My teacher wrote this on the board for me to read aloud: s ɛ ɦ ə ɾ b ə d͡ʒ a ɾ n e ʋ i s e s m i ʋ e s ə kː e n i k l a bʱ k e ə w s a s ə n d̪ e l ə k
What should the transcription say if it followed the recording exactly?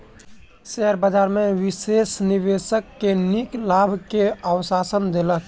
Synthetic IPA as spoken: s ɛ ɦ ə ɾ b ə d͡ʒ a ɾ m e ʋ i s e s n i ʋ e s ə kː e n i k l a bʱ k e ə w s a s ə n d̪ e l ə k